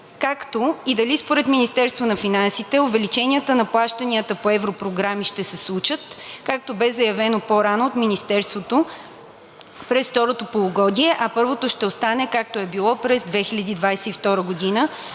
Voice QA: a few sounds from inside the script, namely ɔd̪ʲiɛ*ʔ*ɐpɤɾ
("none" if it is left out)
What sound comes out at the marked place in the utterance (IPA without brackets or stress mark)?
ʔ